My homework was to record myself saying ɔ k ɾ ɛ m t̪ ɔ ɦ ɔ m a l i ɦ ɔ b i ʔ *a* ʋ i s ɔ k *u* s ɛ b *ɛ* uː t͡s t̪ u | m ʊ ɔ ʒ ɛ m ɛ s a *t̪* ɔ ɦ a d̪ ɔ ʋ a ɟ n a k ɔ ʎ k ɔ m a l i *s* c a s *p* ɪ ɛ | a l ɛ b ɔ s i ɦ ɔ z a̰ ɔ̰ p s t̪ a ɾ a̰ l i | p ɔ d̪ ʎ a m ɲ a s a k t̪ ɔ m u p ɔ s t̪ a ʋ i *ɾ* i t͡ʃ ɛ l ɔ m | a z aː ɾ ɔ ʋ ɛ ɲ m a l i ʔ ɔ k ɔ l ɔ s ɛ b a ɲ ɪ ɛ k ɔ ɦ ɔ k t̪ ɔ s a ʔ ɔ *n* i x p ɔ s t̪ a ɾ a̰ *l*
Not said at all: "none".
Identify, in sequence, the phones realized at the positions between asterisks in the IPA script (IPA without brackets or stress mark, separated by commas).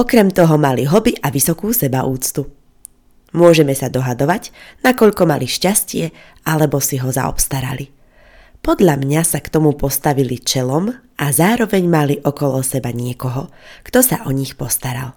a, uː, a, d̪, ʃ, c, l, ɲ, l